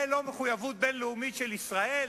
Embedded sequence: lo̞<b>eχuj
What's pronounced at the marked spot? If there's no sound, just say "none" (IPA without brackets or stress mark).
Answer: m